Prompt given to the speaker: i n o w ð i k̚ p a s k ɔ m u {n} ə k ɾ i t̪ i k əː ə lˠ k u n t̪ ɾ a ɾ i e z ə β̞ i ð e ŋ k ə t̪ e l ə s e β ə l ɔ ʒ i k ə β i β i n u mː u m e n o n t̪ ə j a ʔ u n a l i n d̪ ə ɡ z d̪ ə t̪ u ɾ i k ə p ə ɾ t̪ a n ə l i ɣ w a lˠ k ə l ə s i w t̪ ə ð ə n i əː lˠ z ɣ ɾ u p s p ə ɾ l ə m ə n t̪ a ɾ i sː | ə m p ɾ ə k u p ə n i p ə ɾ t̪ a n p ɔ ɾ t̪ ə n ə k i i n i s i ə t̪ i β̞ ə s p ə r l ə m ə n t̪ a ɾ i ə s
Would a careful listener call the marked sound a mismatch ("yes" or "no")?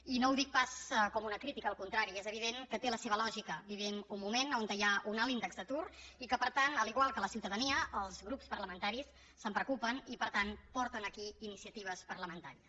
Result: no